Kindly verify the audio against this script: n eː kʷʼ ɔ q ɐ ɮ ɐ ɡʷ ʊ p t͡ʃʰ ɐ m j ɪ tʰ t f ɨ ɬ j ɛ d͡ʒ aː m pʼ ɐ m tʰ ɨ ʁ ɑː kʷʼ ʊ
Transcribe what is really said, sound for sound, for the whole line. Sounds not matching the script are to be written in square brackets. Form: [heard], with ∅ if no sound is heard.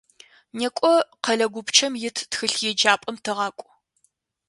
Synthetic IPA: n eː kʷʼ ɔ q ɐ ɮ ɐ ɡʷ ʊ p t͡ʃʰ ɐ m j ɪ tʰ t [x] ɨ ɬ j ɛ d͡ʒ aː [∅] pʼ ɐ m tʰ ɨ ʁ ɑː kʷʼ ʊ